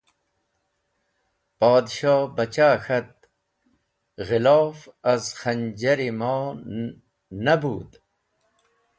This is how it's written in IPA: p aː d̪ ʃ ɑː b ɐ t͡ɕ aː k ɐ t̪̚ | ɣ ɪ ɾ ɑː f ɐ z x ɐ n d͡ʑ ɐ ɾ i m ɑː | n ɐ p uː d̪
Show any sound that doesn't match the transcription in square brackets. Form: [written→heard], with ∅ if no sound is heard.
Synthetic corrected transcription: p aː d̪ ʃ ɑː b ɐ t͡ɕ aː [k→x] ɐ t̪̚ | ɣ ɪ [ɾ→l] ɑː f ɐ z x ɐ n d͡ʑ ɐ ɾ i m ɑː | n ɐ [p→b] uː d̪